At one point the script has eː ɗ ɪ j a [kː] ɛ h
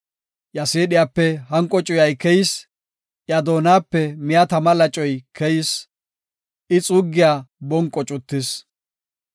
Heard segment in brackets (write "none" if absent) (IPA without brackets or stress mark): pː